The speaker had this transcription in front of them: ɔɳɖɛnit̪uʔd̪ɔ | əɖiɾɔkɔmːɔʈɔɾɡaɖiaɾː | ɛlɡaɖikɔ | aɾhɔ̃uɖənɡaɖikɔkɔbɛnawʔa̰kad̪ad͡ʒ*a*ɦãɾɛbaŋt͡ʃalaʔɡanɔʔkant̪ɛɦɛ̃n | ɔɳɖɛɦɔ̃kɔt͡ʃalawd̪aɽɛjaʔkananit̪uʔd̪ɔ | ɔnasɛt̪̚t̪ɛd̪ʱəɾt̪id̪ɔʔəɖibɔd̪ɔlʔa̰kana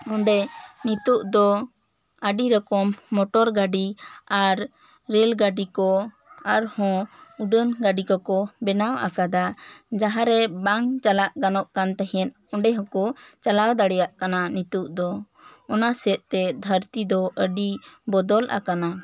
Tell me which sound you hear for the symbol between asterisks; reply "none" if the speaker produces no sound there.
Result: a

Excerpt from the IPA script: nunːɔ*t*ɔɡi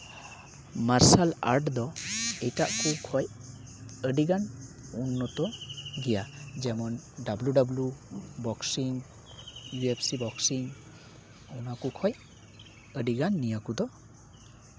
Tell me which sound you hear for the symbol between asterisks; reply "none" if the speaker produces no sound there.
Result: t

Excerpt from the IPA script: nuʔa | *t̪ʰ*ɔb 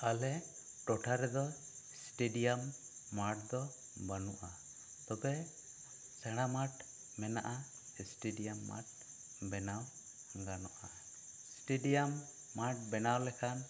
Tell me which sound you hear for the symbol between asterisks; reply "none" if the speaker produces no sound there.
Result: t̪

